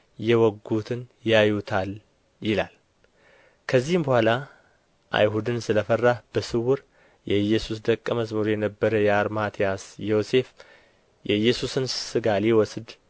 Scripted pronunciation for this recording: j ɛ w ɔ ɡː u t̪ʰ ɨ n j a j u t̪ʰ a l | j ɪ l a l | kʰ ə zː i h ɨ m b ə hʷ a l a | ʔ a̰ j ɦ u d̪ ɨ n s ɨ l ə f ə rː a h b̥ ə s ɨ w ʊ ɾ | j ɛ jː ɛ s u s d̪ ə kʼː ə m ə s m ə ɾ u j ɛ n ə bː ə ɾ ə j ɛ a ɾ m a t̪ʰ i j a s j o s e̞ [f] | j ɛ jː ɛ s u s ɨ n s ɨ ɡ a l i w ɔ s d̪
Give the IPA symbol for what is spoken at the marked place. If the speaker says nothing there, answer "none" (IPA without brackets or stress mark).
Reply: f